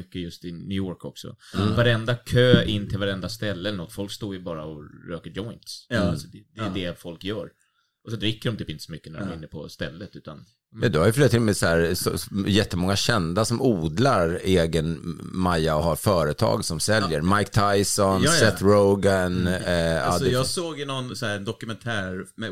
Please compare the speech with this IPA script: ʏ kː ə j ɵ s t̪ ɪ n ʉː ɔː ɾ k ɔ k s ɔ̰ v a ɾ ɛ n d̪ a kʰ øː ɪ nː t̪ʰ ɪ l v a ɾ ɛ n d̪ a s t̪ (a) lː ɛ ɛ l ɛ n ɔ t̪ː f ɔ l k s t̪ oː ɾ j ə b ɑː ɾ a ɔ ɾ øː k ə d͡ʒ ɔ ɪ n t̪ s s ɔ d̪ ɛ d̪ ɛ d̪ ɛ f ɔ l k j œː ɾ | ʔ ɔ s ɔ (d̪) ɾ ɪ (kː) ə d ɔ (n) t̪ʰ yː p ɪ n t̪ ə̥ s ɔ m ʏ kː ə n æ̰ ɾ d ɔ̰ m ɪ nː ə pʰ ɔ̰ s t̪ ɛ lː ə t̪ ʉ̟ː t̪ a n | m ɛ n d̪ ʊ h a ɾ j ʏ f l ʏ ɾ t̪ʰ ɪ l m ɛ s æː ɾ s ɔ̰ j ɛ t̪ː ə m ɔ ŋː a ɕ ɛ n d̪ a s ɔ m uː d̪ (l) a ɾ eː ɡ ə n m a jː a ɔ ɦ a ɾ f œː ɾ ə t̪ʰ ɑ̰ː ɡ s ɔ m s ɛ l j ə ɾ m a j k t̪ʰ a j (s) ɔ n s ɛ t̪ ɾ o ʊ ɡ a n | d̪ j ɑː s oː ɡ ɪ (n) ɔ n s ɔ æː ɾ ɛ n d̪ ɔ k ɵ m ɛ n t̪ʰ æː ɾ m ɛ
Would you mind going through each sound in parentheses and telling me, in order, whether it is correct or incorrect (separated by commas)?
incorrect, correct, correct, incorrect, correct, correct, correct